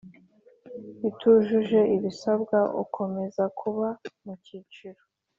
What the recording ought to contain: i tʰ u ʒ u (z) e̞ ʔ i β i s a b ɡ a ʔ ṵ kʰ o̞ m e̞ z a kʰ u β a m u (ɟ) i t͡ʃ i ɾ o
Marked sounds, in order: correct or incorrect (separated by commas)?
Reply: incorrect, incorrect